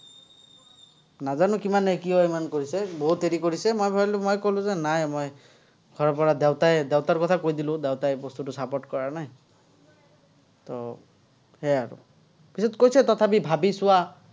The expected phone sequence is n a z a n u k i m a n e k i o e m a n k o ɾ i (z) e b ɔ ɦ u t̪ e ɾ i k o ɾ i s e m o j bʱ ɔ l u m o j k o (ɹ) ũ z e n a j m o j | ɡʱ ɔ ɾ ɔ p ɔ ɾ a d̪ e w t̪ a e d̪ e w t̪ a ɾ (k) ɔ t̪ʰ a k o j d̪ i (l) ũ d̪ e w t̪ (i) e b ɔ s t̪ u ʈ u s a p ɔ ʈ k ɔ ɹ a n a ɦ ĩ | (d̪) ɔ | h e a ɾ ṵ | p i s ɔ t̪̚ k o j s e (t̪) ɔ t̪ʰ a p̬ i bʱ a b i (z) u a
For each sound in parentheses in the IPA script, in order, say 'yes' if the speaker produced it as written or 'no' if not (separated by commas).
no, no, yes, yes, no, no, yes, no